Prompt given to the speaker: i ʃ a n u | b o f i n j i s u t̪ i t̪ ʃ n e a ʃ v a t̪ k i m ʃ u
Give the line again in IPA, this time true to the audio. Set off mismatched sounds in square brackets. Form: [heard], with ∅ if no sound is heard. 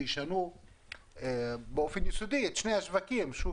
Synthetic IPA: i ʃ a n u | b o f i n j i s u [d̪] i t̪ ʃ n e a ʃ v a [∅] k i m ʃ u